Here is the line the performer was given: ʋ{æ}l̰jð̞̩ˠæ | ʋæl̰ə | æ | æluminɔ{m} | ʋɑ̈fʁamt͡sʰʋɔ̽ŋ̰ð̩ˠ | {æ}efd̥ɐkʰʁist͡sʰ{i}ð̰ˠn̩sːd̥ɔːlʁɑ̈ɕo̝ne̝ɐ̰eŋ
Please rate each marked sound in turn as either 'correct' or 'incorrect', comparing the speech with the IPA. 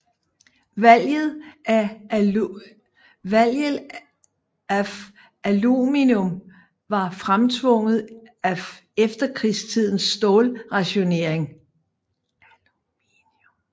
correct, correct, correct, correct

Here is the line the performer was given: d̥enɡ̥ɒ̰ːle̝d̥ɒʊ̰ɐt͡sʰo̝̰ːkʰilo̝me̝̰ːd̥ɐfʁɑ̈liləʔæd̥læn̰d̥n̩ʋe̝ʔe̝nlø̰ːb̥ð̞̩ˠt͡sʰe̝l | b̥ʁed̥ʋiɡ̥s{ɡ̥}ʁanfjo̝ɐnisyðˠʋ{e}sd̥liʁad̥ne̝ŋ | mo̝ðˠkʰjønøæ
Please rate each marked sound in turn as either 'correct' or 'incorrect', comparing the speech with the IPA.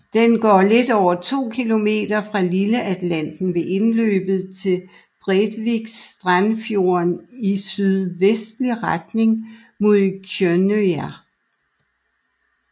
incorrect: d̥, correct

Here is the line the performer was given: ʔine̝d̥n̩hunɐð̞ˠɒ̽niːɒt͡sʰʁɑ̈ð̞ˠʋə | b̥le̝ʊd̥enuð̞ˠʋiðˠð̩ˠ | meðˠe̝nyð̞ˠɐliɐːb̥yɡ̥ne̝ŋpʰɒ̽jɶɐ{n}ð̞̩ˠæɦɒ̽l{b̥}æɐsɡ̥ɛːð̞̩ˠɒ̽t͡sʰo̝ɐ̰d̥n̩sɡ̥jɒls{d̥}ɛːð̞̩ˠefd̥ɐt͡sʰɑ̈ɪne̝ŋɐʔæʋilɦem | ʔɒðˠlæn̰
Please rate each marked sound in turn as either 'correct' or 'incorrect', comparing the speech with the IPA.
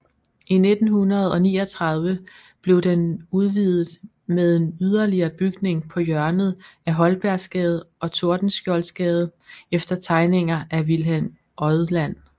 correct, correct, incorrect: ɡ̥

